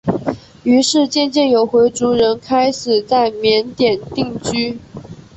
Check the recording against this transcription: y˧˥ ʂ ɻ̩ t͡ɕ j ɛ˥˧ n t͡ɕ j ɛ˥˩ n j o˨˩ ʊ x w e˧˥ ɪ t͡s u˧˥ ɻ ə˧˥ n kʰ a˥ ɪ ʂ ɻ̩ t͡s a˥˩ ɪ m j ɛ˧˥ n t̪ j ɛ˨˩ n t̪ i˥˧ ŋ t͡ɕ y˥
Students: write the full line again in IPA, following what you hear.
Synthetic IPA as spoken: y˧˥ ʂ ɻ̩ t͡ɕ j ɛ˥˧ n t͡ɕ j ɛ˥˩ n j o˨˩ ʊ x w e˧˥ ɪ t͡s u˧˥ ɻ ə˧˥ n kʰ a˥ ɪ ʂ ɻ̩ t͡s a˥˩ ɪ m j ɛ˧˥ n t̪ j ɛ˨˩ n t̪ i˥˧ ŋ t͡ɕ y˥